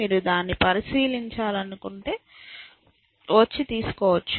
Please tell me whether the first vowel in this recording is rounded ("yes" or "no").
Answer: no